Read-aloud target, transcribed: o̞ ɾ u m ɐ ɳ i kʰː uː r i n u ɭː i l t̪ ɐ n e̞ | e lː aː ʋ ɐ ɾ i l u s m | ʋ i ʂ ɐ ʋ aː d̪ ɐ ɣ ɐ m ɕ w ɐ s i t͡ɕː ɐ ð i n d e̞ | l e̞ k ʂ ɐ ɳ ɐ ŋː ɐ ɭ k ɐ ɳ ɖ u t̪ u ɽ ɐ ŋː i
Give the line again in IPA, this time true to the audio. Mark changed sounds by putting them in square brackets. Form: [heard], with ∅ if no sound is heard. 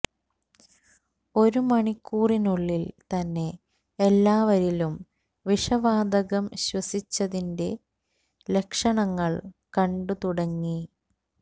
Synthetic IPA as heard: o̞ ɾ u m ɐ ɳ i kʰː uː r i n u ɭː i l t̪ ɐ [nː] e̞ | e lː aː ʋ ɐ ɾ i l u [∅] m | ʋ i ʂ ɐ ʋ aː d̪ ɐ ɣ ɐ m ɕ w ɐ s i t͡ɕː ɐ ð i n d e̞ | l e̞ k ʂ ɐ ɳ ɐ ŋː ɐ ɭ k ɐ ɳ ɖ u t̪ u ɽ ɐ ŋː i

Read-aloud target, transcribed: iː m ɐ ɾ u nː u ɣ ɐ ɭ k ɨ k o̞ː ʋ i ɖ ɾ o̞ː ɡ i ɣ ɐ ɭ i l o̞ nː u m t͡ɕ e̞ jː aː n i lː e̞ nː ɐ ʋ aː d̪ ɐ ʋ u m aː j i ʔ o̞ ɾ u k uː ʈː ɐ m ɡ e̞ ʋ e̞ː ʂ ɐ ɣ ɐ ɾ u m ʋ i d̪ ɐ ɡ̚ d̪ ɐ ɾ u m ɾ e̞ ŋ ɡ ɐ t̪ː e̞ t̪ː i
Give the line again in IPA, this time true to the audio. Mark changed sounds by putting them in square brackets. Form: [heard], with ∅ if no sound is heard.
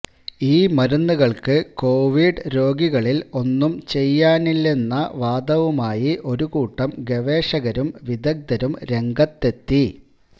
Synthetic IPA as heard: iː m ɐ ɾ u nː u ɣ ɐ ɭ k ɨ k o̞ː ʋ i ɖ ɾ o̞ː ɡ i ɣ ɐ ɭ i l o̞ nː u m t͡ɕ e̞ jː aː n i lː e̞ nː ɐ ʋ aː d̪ ɐ ʋ u m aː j i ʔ o̞ ɾ u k uː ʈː ɐ m ɡ e̞ ʋ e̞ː ʂ ɐ ɣ ɐ ɾ u m ʋ i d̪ ɐ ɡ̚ d̪ ɐ ɾ u m ɾ e̞ ŋ ɡ ɐ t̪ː e̞ t̪ː i

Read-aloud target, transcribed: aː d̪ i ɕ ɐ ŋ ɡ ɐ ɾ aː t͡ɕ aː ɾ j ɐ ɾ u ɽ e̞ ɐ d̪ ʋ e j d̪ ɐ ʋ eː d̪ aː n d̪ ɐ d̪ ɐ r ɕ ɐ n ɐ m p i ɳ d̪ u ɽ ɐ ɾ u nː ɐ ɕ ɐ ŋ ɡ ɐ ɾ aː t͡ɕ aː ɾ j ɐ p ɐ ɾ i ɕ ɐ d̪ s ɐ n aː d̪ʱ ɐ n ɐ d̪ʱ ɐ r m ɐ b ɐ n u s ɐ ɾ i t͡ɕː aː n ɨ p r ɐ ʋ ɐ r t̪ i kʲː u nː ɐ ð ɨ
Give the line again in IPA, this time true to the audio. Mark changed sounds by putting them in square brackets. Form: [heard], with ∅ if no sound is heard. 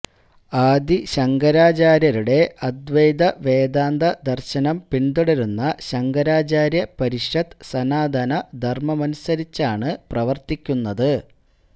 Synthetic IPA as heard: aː d̪ i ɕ ɐ ŋ ɡ ɐ ɾ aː t͡ɕ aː ɾ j ɐ ɾ u ɽ e̞ ɐ d̪ ʋ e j d̪ ɐ ʋ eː d̪ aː n d̪ ɐ d̪ ɐ r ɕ ɐ n ɐ m p i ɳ d̪ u ɽ ɐ ɾ u nː ɐ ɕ ɐ ŋ ɡ ɐ ɾ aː t͡ɕ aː ɾ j ɐ p ɐ ɾ i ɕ ɐ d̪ s ɐ n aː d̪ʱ ɐ n ɐ d̪ʱ ɐ r m ɐ [m] ɐ n u s ɐ ɾ i t͡ɕː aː [ɳ] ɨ p r ɐ ʋ ɐ r t̪ i kʲː u nː ɐ ð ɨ

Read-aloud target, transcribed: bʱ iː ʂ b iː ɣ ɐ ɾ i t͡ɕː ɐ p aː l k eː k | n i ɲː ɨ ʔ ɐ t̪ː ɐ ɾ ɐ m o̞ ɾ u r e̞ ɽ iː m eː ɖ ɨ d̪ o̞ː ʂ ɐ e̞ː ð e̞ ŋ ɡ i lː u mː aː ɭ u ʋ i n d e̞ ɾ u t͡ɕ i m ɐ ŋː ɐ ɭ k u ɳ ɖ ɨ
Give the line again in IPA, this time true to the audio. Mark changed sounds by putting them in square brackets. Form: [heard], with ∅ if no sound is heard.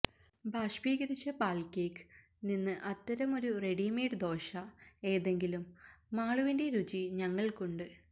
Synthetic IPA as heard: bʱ [aː] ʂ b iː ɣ ɐ ɾ i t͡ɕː ɐ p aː l k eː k | n i [nː] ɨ ʔ ɐ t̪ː ɐ ɾ ɐ m o̞ ɾ u r e̞ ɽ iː m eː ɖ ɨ d̪ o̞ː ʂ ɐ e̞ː ð e̞ ŋ ɡ i [l] u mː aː ɭ u ʋ i n d e̞ ɾ u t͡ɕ i [ɲ] ɐ ŋː ɐ ɭ k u ɳ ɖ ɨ

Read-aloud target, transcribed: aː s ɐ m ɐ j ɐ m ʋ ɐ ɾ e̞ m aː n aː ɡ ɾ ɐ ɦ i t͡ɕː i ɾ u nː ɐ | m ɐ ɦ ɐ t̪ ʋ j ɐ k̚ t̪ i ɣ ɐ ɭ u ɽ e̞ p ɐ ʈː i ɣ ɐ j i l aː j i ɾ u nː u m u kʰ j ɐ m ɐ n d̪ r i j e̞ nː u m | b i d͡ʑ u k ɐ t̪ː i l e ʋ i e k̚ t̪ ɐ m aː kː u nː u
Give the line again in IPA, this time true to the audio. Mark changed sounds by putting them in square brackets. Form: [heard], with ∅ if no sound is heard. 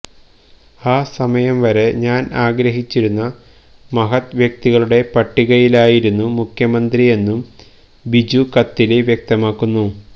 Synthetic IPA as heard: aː s ɐ m ɐ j ɐ m ʋ ɐ ɾ e̞ [ɲ] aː n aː ɡ ɾ ɐ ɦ i t͡ɕː i ɾ u nː ɐ | m ɐ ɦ ɐ t̪ ʋ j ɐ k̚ t̪ i ɣ ɐ ɭ u ɽ e̞ p ɐ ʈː i ɣ ɐ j i l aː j i ɾ u nː u m u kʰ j ɐ m ɐ n d̪ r i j e̞ nː u m | b i d͡ʑ u k ɐ t̪ː i l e ʋ [j] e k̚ t̪ ɐ m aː kː u nː u

